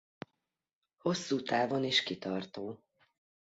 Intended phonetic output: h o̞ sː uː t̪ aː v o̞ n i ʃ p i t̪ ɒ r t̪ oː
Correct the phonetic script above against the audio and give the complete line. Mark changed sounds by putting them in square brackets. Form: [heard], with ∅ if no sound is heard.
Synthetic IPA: h o̞ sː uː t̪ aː v o̞ n i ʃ [k] i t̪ ɒ r t̪ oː